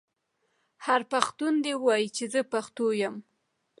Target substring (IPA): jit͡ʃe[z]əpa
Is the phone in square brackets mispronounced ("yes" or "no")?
no